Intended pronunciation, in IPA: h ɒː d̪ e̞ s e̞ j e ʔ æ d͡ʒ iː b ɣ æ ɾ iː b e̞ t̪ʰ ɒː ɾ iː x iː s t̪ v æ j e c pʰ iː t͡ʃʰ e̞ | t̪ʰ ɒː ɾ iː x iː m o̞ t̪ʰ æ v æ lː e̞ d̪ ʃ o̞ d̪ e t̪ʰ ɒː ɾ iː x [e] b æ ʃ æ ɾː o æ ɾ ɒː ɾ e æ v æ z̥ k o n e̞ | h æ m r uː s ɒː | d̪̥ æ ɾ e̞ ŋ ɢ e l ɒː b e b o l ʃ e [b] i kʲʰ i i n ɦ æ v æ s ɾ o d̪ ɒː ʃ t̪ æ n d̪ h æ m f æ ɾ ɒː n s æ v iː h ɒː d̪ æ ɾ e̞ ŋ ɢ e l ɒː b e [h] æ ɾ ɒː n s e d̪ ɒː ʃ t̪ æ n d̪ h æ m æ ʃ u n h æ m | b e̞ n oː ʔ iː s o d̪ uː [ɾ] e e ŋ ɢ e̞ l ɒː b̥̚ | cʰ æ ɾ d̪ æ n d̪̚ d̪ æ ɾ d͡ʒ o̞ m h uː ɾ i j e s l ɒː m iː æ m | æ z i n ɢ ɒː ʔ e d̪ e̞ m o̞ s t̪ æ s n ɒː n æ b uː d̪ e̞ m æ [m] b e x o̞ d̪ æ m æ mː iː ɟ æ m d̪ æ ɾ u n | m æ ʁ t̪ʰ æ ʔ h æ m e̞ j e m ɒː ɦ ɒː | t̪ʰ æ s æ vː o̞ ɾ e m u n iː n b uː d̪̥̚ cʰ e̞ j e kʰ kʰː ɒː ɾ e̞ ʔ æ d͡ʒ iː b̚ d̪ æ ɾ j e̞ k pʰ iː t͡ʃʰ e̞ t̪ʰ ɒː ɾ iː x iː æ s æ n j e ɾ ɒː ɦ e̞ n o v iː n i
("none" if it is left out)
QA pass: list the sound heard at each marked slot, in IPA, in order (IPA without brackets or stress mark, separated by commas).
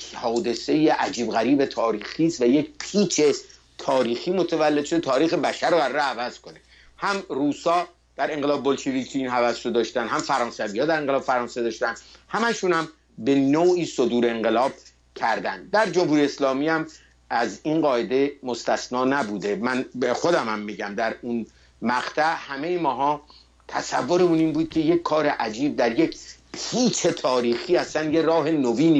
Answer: e, v, f, ɾ, n